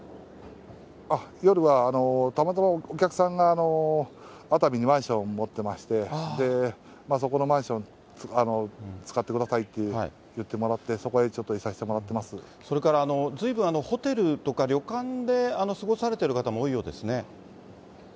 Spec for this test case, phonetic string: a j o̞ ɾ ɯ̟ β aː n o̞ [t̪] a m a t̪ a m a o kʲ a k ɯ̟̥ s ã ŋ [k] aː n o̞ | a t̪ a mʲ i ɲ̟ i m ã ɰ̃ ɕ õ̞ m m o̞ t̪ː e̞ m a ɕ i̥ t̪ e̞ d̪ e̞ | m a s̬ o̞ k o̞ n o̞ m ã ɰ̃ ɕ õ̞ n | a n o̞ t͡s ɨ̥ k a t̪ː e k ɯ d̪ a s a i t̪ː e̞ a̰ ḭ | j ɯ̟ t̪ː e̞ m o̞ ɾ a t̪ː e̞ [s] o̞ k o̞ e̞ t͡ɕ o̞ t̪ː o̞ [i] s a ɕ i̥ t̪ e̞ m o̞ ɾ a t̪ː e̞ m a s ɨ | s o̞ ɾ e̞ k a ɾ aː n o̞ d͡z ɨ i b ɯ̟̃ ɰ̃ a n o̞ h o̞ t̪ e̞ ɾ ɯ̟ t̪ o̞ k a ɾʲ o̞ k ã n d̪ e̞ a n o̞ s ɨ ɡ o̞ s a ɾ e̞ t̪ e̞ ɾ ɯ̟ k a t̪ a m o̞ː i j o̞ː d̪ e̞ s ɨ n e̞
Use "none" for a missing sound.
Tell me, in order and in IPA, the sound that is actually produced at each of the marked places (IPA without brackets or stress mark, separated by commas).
t̪, ɡ, s, i